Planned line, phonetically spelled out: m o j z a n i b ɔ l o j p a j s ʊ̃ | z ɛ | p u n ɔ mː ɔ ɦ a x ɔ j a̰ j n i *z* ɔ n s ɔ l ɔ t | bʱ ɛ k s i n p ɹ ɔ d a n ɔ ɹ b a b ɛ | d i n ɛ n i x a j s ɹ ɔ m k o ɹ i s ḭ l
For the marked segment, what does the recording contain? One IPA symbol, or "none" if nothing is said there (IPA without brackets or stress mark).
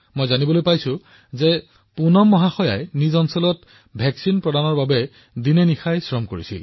z